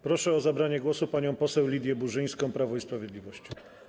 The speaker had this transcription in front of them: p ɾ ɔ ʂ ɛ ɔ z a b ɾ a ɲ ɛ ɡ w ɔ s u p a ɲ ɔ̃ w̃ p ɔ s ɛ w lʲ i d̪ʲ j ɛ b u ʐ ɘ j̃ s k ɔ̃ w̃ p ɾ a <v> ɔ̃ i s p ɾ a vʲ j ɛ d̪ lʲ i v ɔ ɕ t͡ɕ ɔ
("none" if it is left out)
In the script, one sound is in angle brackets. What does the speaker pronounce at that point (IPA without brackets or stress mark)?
v